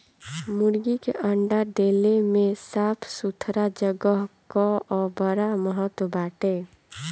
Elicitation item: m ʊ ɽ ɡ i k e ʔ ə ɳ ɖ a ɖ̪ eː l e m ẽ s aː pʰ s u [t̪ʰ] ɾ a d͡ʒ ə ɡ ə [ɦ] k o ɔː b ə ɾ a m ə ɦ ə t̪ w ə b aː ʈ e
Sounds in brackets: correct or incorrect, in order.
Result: correct, correct

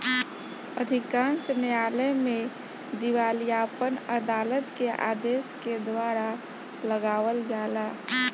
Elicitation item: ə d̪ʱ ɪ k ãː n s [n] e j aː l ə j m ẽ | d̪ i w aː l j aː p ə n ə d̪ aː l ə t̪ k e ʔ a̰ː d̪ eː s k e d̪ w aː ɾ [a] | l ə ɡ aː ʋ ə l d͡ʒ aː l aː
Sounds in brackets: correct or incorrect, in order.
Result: correct, correct

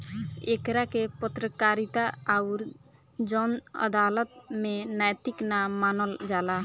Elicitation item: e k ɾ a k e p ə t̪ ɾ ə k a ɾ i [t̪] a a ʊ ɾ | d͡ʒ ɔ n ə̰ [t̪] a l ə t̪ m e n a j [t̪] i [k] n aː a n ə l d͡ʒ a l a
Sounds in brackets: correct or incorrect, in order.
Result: correct, incorrect, correct, correct

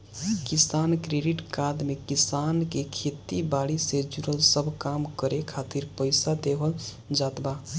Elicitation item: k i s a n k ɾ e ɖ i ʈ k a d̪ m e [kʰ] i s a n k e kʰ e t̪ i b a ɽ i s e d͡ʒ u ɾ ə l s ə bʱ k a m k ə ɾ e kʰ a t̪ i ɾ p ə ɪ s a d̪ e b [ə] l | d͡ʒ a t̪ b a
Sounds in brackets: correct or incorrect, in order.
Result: incorrect, correct

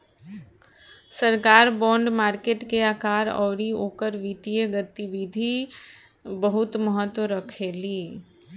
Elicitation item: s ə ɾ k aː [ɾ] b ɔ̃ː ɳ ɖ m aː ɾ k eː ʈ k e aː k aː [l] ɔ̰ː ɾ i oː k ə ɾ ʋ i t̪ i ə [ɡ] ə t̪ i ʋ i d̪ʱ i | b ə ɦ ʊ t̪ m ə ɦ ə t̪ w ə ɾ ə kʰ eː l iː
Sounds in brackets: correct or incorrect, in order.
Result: correct, incorrect, correct

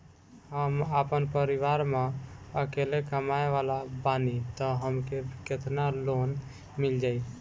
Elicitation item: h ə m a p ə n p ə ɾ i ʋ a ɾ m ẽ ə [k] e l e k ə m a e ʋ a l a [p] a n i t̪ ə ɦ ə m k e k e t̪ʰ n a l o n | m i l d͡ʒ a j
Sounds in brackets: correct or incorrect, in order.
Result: correct, incorrect

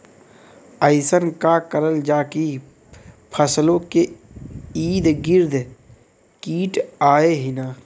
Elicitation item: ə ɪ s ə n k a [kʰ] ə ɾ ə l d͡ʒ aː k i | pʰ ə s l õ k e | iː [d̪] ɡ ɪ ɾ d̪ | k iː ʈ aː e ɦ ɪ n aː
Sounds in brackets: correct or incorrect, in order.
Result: incorrect, correct

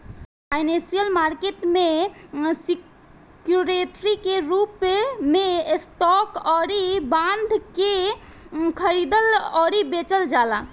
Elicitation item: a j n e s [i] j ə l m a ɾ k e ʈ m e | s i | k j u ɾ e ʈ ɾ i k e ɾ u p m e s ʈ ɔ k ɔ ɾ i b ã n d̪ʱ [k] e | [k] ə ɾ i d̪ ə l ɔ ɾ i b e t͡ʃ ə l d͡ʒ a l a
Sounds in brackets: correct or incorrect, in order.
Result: correct, correct, incorrect

